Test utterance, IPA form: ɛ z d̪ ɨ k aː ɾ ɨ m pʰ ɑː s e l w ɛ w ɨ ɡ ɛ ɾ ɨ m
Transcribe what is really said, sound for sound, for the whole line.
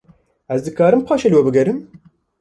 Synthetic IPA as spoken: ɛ z d̪ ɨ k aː ɾ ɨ m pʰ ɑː ʃ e l w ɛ b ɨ ɡ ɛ ɾ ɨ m